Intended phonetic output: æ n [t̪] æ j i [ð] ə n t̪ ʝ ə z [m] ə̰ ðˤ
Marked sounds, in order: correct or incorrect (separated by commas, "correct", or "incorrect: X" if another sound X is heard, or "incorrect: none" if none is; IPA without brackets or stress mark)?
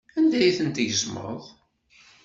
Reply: incorrect: d̪, incorrect: θ, correct